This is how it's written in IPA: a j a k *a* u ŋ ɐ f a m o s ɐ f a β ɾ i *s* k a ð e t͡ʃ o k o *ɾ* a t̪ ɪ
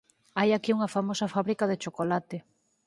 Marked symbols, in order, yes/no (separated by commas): no, no, no